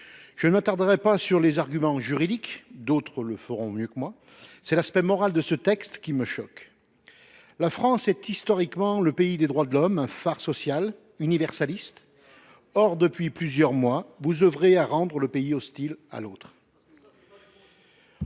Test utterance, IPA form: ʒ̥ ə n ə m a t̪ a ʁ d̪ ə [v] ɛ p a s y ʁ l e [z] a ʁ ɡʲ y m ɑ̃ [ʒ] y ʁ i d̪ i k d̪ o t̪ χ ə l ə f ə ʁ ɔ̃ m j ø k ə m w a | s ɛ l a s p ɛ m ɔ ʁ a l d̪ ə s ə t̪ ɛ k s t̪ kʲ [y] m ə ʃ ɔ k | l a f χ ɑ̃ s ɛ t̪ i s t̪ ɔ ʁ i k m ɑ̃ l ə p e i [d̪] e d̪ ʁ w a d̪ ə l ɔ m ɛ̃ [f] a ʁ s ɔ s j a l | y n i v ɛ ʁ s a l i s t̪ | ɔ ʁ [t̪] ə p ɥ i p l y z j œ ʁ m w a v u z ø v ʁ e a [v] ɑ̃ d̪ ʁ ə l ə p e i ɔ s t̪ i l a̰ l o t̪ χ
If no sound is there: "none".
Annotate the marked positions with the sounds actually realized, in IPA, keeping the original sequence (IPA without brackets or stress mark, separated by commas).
ʁ, z, ʒ, i, d̪, f, d̪, ʁ